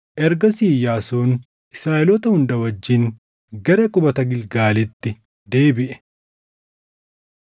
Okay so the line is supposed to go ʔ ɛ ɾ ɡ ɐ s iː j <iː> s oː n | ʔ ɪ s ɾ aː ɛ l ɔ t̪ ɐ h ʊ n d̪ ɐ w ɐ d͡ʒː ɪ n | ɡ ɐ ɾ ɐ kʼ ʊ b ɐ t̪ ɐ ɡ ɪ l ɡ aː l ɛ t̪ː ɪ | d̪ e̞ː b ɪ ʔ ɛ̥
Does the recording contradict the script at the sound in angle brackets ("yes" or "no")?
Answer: yes